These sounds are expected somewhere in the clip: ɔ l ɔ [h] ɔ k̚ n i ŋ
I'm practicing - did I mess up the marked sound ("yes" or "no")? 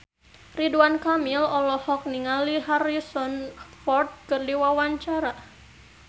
no